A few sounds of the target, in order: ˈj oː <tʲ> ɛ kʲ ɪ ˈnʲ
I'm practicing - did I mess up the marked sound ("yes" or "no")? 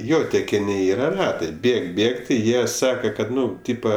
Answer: no